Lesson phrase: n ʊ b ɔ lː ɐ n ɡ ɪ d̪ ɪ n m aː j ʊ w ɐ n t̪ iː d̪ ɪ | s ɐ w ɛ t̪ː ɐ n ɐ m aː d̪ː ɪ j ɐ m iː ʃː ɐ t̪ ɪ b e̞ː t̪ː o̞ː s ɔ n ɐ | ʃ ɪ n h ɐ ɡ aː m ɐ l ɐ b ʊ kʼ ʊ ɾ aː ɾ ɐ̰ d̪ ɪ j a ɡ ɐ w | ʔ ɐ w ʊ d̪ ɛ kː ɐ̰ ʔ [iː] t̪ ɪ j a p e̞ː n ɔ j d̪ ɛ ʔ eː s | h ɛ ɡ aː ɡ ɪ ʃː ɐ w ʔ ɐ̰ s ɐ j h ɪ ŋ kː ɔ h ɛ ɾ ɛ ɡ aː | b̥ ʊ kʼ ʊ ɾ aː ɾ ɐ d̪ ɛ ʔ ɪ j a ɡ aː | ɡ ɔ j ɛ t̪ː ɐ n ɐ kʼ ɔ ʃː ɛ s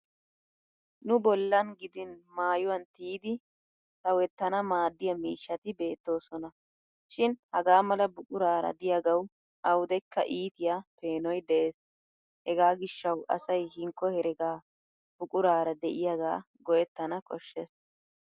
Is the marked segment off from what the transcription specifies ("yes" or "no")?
no